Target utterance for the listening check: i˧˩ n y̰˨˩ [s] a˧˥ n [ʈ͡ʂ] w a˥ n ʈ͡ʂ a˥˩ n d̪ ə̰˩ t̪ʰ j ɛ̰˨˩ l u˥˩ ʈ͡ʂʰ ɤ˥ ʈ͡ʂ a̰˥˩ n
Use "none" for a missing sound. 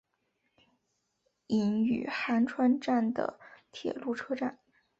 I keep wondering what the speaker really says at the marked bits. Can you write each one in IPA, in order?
x, ʈ͡ʂʰ

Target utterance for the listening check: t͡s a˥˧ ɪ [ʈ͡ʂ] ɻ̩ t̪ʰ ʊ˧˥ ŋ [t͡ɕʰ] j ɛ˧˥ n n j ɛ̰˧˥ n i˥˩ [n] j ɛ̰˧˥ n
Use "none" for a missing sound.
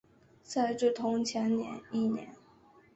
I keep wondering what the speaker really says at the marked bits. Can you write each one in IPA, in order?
ʈ͡ʂ, t͡ɕʰ, n

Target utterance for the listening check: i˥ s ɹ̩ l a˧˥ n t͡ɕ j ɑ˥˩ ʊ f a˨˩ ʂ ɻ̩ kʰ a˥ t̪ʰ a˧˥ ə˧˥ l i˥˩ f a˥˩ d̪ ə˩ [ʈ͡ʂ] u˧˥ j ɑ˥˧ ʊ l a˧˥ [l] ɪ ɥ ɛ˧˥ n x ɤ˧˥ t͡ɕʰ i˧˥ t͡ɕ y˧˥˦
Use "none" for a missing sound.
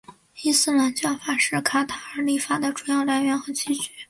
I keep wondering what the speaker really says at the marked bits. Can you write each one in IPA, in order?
ʈ͡ʂ, none

